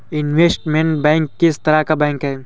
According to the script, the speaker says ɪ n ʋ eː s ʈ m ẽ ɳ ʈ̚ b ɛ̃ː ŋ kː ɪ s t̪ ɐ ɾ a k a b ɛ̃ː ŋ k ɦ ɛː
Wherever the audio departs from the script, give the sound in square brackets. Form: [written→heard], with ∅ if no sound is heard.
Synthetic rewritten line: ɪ n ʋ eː s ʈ m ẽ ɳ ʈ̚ b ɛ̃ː ŋ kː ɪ s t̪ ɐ ɾ a k a b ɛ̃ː ŋ k ɦ ɛː

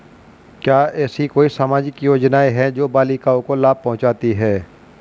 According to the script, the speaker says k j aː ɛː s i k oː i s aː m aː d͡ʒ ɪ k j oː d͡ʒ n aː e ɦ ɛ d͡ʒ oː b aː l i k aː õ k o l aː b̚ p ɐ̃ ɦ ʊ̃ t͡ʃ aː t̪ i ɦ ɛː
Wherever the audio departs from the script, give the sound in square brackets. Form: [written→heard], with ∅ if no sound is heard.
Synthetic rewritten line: k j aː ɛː s i k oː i s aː m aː d͡ʒ ɪ k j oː d͡ʒ n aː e ɦ ɛ d͡ʒ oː b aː l i k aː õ k o l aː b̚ p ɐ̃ ɦ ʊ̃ t͡ʃ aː t̪ i ɦ ɛː

